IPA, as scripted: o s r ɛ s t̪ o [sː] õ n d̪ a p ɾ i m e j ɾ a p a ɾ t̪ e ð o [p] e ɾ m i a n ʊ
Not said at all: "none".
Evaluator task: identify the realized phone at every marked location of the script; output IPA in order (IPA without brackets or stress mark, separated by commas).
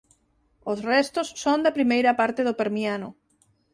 sː, p